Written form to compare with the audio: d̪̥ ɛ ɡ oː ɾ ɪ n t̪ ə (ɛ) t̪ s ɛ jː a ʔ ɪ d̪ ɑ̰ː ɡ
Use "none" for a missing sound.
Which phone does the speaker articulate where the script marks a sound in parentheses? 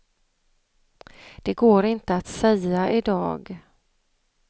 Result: a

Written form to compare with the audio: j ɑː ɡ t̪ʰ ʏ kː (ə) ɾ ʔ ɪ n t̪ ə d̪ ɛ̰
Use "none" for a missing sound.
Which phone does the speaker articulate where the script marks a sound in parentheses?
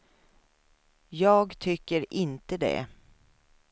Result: ə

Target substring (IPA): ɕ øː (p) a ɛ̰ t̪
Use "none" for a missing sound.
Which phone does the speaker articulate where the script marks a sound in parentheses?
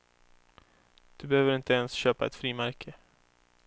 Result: p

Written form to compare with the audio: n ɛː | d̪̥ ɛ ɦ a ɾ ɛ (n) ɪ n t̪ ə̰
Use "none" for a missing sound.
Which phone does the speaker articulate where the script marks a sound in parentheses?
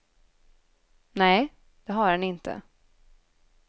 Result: n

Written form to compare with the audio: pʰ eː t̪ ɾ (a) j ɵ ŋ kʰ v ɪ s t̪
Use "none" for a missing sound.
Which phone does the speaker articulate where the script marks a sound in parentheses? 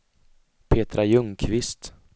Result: a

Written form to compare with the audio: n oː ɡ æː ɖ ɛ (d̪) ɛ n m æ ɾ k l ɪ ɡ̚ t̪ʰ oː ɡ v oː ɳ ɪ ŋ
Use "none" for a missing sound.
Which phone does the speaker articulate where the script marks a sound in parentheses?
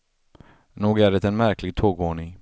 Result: t̪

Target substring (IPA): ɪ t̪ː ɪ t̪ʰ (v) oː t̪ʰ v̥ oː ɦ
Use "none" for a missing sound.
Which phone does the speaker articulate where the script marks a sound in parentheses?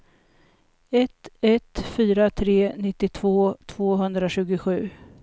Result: v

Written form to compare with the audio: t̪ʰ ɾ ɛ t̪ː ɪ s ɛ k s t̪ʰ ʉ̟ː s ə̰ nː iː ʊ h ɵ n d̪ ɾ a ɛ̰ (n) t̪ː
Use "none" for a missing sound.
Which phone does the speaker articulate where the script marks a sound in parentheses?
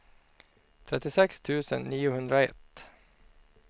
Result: none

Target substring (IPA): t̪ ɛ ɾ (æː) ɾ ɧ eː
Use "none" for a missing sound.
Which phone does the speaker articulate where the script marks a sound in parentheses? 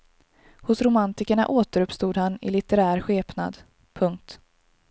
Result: æː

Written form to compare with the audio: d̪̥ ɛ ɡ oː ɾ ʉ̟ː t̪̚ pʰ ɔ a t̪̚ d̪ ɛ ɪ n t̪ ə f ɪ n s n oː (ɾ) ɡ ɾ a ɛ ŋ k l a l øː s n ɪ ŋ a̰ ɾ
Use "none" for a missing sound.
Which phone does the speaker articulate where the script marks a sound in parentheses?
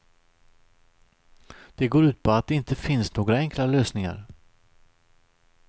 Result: none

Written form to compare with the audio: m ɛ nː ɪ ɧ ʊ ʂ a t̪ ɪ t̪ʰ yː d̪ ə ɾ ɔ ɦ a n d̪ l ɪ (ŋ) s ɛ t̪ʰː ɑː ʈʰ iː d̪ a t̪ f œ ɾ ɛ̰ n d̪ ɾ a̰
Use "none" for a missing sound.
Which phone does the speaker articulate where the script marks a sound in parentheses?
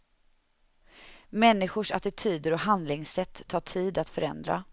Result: ŋ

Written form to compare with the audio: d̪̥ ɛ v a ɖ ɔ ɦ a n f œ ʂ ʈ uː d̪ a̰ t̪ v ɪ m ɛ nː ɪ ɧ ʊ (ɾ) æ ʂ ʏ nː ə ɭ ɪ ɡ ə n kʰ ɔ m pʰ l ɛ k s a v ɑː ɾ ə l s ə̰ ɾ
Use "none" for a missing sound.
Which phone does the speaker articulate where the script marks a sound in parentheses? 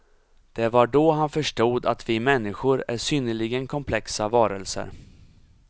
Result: ɾ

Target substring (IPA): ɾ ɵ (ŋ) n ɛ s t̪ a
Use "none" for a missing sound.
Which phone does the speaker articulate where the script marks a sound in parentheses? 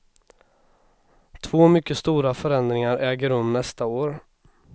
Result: m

